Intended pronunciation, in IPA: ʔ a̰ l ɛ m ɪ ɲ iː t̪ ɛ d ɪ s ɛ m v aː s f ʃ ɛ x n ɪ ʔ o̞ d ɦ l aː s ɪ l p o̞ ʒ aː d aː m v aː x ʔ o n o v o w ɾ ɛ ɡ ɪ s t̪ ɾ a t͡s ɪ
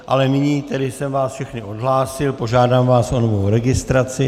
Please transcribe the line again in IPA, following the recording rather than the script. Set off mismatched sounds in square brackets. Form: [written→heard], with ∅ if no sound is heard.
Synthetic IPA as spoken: ʔ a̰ l ɛ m ɪ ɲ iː t̪ ɛ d ɪ s ɛ m v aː s f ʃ ɛ x n ɪ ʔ o̞ d ɦ l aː s ɪ l p o̞ ʒ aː d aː m v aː [x→s] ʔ o n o v o w ɾ ɛ ɡ ɪ s t̪ ɾ a t͡s ɪ

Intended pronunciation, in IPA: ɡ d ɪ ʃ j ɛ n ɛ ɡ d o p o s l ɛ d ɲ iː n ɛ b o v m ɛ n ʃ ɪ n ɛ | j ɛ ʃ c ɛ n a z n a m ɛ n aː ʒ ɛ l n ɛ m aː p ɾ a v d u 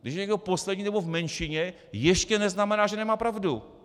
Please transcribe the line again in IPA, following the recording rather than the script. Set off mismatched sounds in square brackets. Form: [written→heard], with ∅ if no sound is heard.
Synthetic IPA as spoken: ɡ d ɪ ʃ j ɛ [n→ɲ] ɛ ɡ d o p o s l ɛ d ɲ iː n ɛ b o v m ɛ n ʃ ɪ [n→ɲ] ɛ | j ɛ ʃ c ɛ n [a→ɛ] z n a m ɛ n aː ʒ ɛ [l→∅] n ɛ m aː p ɾ a v d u

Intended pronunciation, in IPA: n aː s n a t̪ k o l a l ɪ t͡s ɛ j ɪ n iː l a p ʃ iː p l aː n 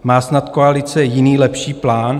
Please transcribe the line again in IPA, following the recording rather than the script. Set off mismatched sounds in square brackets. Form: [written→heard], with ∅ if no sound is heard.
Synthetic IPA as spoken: [n→m] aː s n a t̪ k o [l→∅] a l ɪ t͡s ɛ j ɪ n iː l [a→ɛ] p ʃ iː p l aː n

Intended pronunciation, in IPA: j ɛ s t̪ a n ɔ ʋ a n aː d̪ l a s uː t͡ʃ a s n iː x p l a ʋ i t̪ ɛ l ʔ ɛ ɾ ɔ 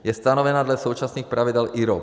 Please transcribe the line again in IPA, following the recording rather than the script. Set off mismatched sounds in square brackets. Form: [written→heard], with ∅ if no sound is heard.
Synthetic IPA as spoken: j ɛ s t̪ a n ɔ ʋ [a→ɛ] n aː d̪ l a s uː t͡ʃ a s n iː x p [l→ɾ] a ʋ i [t̪→d̪] ɛ l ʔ [ɛ→i] ɾ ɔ

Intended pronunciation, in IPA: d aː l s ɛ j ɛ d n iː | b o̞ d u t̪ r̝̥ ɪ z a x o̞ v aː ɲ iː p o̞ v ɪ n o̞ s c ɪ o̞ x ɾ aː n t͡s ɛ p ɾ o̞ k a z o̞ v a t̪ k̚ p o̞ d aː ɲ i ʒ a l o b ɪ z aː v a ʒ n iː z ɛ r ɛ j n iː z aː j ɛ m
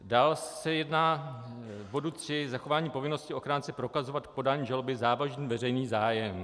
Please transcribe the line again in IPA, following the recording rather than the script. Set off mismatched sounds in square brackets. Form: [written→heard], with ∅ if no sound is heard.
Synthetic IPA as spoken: d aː l s ɛ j ɛ d n [iː→aː] | b o̞ d u t̪ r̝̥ ɪ z a x o̞ v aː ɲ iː p o̞ v ɪ n o̞ s c ɪ o̞ x ɾ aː n t͡s ɛ p ɾ o̞ k a z o̞ v a t̪ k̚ p o̞ d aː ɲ i ʒ a l o b ɪ z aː v a ʒ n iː [z→v] ɛ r ɛ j n iː z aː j ɛ m

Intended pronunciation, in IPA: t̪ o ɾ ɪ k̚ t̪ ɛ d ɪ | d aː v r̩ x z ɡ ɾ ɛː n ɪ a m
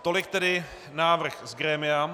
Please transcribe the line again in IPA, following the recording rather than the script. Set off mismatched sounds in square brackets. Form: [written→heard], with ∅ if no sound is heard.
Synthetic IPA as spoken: t̪ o [ɾ→l] ɪ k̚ t̪ ɛ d ɪ | [d→n] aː v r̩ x z ɡ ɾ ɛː [n→m] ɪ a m

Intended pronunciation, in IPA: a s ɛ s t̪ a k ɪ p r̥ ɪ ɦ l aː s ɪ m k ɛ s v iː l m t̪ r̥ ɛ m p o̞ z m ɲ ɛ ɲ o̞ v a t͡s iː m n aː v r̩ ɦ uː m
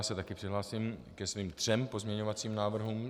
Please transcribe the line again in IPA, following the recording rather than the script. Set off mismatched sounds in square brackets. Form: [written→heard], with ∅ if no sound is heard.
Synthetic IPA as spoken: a s ɛ [s→∅] t̪ a k ɪ p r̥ ɪ ɦ l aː s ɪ m k ɛ s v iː [l→∅] m t̪ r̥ ɛ m p o̞ z m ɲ ɛ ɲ o̞ v a t͡s iː m n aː v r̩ ɦ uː m

